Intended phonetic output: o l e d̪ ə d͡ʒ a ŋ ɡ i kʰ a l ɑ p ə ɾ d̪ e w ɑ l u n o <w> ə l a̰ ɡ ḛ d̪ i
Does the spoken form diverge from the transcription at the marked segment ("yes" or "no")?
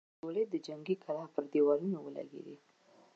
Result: no